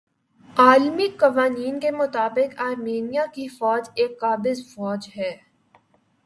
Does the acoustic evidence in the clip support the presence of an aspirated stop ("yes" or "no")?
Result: no